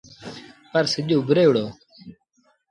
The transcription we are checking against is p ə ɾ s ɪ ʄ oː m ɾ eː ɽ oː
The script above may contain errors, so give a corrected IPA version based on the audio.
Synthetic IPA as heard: p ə ɾ s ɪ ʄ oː b ɾ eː ɽ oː